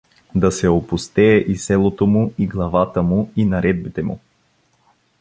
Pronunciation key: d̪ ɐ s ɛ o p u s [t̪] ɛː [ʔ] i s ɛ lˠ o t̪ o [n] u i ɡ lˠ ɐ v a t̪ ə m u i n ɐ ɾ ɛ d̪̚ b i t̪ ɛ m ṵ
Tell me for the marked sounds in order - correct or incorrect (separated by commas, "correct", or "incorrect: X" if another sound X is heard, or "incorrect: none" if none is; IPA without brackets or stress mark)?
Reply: correct, correct, incorrect: m